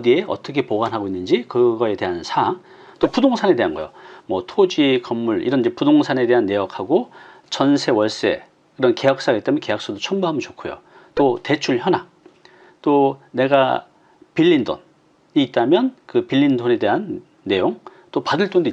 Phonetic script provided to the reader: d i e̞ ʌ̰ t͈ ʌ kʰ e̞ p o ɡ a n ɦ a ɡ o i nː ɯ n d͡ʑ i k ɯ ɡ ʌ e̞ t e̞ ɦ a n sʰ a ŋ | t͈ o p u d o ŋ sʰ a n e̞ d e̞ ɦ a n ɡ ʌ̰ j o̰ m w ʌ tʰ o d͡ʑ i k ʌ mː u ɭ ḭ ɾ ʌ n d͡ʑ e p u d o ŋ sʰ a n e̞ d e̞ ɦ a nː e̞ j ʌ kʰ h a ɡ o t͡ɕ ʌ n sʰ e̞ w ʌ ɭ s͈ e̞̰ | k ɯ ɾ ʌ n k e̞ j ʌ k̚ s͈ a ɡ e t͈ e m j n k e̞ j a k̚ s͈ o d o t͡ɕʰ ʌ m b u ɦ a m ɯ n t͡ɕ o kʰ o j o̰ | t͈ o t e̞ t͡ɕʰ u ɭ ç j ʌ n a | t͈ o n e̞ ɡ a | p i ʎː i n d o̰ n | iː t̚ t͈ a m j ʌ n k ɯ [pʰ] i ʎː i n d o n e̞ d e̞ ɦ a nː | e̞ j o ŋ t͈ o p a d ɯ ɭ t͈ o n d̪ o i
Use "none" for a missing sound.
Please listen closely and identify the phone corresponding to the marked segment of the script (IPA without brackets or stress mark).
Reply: p